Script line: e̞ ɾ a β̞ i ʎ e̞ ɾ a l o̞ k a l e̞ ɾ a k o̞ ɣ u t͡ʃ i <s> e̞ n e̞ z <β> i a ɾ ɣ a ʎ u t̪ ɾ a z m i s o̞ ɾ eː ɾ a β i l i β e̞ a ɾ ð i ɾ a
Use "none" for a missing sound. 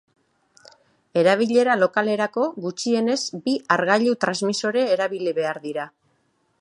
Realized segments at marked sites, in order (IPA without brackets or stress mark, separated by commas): none, b